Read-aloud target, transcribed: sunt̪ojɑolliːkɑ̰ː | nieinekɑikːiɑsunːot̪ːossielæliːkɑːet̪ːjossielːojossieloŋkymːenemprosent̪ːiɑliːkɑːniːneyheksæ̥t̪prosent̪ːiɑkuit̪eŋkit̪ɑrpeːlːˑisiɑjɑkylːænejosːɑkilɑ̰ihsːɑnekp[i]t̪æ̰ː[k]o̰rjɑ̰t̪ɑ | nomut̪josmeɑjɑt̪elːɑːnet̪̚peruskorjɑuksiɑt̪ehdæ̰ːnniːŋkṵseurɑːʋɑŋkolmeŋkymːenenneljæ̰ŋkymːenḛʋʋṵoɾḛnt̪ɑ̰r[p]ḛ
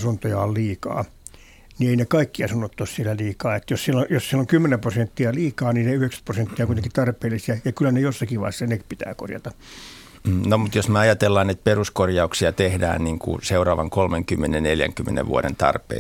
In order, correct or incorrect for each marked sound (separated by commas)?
correct, correct, correct